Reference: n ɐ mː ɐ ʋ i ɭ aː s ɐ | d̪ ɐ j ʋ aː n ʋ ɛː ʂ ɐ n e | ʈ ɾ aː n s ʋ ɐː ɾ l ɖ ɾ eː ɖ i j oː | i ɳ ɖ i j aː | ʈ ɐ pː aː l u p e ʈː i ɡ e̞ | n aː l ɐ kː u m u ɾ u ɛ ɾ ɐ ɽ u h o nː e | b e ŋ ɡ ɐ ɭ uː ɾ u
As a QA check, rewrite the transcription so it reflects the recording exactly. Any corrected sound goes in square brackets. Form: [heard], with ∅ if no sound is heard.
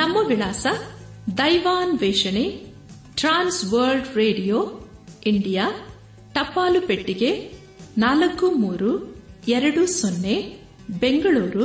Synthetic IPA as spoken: n ɐ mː ɐ ʋ i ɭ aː s ɐ | d̪ ɐ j ʋ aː n ʋ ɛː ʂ ɐ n e | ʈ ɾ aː n s ʋ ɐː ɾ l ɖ ɾ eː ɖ i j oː | i ɳ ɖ i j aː | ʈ ɐ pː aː l u p e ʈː i ɡ e̞ | n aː l ɐ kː u m [uː] ɾ u ɛ ɾ ɐ ɽ u [s] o nː e | b e ŋ ɡ ɐ ɭ uː ɾ u